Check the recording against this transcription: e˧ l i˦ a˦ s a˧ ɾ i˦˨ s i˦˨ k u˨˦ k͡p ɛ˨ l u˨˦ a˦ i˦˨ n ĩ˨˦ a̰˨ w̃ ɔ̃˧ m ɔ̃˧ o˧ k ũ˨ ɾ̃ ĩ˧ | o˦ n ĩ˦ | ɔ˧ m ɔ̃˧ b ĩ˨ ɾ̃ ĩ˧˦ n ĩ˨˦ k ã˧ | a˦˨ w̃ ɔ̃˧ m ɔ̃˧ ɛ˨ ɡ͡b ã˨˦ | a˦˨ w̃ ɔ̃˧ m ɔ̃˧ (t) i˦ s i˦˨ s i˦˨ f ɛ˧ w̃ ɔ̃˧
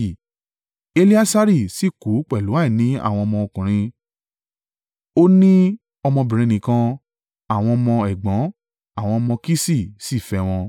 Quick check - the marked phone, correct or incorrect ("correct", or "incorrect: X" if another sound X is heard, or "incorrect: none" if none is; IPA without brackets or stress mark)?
incorrect: k